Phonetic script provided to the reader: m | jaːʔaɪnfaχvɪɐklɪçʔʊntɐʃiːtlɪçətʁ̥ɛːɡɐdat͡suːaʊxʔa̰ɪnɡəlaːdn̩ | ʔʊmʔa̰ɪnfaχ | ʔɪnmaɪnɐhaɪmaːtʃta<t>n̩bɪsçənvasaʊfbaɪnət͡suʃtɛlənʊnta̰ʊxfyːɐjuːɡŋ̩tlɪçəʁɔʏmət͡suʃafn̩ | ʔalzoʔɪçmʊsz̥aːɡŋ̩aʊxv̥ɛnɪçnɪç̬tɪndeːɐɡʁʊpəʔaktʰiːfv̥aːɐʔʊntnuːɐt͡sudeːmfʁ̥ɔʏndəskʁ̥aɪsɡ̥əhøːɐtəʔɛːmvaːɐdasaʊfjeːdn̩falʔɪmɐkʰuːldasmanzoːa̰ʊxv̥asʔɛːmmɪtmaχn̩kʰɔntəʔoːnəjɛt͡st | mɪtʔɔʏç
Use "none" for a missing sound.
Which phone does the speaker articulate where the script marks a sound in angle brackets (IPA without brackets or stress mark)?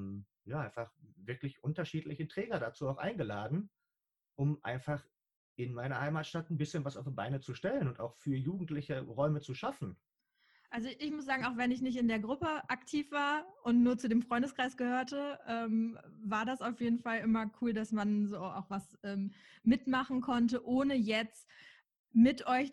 t